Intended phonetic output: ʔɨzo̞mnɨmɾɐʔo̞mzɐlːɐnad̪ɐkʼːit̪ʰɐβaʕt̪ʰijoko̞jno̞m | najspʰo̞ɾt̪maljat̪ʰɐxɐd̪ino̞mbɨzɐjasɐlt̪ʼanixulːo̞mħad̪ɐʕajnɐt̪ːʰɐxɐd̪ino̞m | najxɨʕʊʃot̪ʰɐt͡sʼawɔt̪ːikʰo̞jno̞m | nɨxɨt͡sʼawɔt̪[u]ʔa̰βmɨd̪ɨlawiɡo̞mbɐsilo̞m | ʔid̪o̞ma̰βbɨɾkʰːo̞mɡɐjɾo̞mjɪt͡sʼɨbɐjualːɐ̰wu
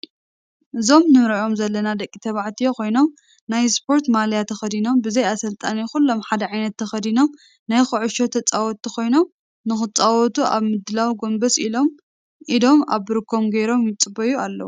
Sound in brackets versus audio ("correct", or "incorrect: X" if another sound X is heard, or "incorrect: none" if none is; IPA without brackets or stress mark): correct